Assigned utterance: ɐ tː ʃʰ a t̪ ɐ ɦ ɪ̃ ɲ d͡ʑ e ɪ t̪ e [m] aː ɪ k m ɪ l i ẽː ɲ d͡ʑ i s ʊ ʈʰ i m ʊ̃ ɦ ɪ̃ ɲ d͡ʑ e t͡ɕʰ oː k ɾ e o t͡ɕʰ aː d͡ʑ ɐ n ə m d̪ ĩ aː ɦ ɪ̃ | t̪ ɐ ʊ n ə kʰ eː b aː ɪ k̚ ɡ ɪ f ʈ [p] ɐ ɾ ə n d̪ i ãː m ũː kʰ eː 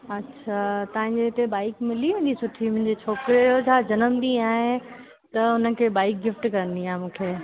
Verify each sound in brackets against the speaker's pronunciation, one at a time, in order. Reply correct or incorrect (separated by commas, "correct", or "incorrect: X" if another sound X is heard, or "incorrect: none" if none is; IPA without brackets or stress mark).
incorrect: b, incorrect: k